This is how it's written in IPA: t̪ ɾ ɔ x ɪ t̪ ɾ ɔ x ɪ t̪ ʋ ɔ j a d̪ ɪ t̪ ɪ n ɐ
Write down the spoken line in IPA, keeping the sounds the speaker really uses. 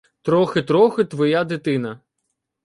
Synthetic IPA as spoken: t̪ ɾ ɔ x ɪ t̪ ɾ ɔ x ɪ t̪ ʋ ɔ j a d̪ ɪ t̪ ɪ n ɐ